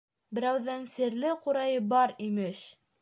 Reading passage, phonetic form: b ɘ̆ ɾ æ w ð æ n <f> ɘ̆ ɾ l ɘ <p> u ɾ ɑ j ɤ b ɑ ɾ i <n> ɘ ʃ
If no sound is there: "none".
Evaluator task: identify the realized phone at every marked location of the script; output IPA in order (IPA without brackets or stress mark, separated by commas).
s, q, m